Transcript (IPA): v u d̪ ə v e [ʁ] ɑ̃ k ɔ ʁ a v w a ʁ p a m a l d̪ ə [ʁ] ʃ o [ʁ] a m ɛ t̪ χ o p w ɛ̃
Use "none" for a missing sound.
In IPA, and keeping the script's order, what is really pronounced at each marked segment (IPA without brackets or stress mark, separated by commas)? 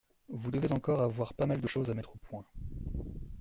z, none, z